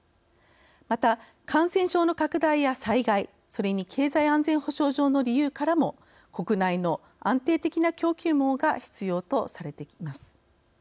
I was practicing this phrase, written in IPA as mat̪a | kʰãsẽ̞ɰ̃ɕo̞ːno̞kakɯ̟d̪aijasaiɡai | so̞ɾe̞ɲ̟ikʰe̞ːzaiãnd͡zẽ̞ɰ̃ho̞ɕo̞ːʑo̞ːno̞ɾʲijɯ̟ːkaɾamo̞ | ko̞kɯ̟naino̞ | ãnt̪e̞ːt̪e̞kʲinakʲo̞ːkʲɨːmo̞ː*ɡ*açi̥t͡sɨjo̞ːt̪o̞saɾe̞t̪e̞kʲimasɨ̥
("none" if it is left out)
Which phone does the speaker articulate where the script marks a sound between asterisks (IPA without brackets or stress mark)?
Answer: ɡ